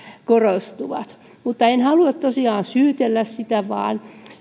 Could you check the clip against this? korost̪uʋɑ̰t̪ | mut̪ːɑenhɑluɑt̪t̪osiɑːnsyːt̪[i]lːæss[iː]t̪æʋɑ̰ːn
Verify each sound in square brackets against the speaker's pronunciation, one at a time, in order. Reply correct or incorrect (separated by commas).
incorrect, incorrect